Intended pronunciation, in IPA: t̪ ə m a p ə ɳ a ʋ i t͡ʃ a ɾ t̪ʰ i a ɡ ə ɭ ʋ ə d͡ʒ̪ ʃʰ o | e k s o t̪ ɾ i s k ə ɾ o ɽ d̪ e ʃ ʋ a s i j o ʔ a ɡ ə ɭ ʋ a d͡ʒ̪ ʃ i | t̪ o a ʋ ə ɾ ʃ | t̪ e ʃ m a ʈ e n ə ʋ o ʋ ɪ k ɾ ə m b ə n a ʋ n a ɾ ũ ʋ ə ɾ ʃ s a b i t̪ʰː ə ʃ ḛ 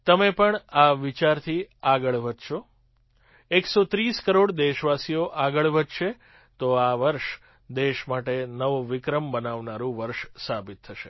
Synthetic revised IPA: t̪ ə m e p ə ɳ a ʋ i t͡ʃ a ɾ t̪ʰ i a ɡ ə ɭ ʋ ə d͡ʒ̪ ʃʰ o | e k s o t̪ ɾ i s k ə ɾ o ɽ d̪ e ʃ ʋ a s i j o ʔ a ɡ ə ɭ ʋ ə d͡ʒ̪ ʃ e | t̪ o a ʋ ə ɾ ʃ | d̪ e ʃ m a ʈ e n ə ʋ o ʋ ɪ k ɾ ə m b ə n a ʋ n a ɾ ũ ʋ ə ɾ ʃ s a b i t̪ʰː ə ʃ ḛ